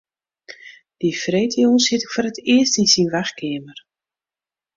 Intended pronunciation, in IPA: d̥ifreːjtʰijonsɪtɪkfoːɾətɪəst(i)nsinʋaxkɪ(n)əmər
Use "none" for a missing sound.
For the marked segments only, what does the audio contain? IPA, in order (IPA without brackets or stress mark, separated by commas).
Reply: i, none